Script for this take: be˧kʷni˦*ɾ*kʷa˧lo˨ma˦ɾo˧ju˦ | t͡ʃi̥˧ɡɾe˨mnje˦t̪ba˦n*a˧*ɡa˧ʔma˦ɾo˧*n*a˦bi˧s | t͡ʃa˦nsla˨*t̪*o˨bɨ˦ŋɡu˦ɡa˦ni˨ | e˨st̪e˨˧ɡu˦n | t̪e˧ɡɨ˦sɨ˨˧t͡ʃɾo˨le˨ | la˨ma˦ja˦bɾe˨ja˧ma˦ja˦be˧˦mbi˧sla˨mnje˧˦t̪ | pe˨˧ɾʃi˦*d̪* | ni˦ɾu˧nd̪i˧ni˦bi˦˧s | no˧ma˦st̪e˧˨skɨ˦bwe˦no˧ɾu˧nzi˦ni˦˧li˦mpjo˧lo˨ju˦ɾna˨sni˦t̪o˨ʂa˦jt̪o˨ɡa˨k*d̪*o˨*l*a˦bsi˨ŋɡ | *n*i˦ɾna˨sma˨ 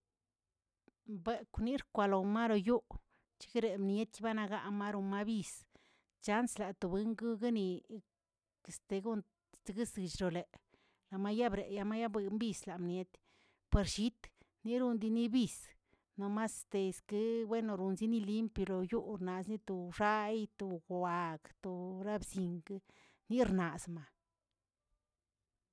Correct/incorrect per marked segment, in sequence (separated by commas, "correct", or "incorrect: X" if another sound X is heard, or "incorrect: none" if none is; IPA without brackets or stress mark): correct, correct, incorrect: m, correct, incorrect: t̪, incorrect: t̪, incorrect: ɾ, correct